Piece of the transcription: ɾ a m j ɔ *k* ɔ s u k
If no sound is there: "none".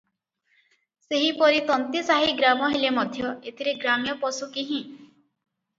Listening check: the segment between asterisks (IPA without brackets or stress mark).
p